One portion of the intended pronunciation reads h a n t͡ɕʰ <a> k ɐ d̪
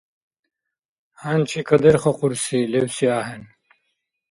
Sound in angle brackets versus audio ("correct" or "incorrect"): incorrect